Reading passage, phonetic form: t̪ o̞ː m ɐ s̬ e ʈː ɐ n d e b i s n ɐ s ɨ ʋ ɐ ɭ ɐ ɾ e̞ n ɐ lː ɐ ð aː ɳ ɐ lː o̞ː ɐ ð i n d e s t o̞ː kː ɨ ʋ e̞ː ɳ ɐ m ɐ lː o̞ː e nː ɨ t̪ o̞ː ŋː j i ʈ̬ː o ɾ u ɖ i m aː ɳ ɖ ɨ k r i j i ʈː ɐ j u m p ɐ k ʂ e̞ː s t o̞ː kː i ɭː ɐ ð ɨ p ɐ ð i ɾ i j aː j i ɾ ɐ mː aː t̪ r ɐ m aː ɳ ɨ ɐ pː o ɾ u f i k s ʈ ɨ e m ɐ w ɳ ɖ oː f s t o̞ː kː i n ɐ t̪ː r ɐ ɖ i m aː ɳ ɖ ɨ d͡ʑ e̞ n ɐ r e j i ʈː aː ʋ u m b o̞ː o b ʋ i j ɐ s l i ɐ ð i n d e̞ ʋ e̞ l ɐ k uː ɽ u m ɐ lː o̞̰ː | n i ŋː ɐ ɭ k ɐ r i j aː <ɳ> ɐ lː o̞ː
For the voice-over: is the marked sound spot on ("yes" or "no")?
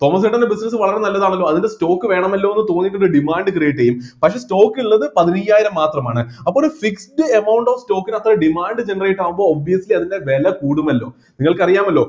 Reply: no